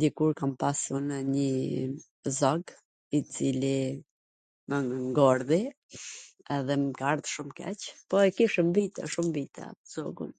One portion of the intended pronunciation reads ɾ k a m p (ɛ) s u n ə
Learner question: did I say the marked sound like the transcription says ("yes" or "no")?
no